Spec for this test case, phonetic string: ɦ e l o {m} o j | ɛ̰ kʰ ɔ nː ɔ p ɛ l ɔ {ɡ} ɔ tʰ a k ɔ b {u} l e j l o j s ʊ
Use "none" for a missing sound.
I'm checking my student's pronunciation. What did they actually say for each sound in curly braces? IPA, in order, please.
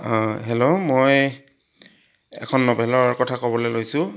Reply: m, k, ɔ

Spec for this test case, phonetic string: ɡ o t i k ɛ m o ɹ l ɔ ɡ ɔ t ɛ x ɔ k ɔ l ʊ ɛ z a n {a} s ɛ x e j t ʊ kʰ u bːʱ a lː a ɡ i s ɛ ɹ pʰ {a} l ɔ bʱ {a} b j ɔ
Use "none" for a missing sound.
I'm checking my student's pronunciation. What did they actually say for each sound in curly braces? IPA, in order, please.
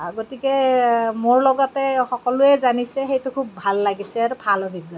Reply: i, a, i

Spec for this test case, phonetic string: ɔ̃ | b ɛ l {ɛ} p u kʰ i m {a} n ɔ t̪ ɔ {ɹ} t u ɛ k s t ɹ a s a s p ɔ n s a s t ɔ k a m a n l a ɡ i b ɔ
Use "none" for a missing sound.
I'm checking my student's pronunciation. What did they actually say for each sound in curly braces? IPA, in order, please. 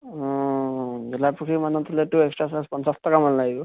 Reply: a, a, l

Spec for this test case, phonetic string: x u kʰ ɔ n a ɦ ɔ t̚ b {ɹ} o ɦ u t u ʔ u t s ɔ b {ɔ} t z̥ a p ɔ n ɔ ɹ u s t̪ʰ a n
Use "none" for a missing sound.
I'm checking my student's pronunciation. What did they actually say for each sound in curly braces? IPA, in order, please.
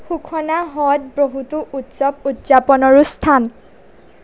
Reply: ɹ, u

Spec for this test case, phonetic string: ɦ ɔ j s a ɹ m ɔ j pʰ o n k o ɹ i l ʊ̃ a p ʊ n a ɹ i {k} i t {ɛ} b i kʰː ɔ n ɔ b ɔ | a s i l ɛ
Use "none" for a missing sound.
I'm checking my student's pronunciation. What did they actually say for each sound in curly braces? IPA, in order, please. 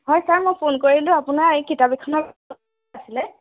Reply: k, a

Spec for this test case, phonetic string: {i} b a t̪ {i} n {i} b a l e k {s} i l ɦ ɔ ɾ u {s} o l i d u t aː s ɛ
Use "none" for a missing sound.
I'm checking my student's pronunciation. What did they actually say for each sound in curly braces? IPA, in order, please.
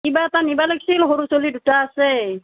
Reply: i, a, i, s, s

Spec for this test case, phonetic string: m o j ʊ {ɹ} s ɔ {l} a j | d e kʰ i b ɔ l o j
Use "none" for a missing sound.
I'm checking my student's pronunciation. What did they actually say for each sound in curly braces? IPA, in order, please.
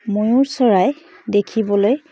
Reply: ɹ, ɹ

